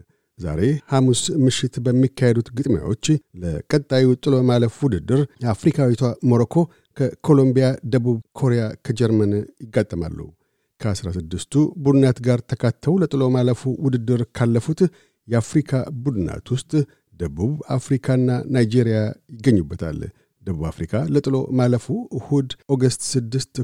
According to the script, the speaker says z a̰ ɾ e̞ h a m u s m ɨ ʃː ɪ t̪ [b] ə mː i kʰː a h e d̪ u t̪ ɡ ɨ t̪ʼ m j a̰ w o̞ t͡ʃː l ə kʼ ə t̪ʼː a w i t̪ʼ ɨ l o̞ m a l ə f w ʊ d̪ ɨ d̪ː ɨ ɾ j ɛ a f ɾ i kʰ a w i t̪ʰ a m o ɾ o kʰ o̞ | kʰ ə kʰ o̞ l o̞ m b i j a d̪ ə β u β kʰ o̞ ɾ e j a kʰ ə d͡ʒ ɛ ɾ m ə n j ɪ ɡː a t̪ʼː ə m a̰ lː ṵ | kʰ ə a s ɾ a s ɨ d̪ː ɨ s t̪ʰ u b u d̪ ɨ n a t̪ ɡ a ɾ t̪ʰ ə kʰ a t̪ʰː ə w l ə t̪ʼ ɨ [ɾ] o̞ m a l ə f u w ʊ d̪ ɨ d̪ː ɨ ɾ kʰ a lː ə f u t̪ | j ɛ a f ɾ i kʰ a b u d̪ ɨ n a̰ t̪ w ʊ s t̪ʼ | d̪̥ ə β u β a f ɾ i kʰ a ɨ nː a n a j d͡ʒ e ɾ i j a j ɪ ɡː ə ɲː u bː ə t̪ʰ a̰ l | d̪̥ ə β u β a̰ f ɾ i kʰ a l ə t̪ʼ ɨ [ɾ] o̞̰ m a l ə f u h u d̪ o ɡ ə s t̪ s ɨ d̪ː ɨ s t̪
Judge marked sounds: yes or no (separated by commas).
yes, no, no